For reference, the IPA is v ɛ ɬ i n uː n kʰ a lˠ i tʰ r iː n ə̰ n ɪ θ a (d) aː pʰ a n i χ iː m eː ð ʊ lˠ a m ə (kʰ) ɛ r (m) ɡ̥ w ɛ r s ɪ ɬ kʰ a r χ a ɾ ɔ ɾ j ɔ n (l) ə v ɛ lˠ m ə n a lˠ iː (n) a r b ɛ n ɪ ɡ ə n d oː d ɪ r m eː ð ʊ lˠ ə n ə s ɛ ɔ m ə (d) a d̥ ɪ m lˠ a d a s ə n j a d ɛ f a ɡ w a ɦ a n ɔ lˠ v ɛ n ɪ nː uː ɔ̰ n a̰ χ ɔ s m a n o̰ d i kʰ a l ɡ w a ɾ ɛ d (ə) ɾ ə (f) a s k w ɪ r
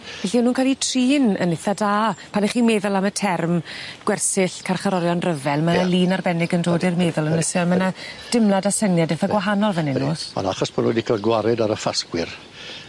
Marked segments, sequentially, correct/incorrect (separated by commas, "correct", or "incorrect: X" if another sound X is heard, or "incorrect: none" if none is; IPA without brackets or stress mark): correct, incorrect: tʰ, correct, incorrect: r, correct, incorrect: n, incorrect: a, correct